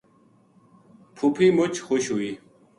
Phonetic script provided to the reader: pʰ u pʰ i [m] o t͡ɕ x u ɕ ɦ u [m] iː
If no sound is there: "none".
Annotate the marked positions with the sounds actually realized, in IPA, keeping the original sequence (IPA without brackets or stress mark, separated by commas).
m, none